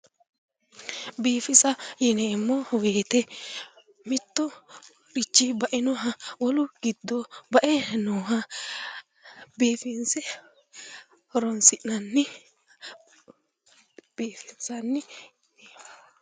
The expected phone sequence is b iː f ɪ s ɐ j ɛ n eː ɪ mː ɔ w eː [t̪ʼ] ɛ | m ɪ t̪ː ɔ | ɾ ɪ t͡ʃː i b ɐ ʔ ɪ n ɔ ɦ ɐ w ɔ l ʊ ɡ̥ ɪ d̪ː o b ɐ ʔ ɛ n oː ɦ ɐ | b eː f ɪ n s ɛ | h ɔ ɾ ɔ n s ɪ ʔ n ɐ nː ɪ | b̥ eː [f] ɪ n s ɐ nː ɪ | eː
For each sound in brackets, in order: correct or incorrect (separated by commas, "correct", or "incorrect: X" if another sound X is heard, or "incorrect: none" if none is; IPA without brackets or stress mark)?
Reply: incorrect: t̪, correct